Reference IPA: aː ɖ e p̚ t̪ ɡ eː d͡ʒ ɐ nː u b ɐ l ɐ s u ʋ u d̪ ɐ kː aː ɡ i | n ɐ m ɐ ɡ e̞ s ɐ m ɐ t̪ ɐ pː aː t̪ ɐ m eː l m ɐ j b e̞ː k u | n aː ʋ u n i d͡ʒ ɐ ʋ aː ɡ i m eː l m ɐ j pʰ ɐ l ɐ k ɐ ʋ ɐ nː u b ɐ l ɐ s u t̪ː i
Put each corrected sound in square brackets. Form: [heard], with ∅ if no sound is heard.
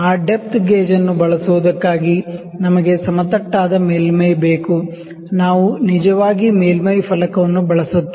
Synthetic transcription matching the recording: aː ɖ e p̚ t̪ ɡ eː d͡ʒ ɐ nː u b ɐ [ɭ] ɐ s u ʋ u d̪ ɐ kː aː ɡ i | n ɐ m ɐ ɡ e̞ s ɐ m ɐ t̪ ɐ [ʈː] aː [d̪] ɐ m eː l m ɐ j b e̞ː k u | n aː ʋ u n i d͡ʒ ɐ ʋ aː ɡ i m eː l m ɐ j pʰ ɐ l ɐ k ɐ ʋ ɐ nː u b ɐ [ɭ] ɐ s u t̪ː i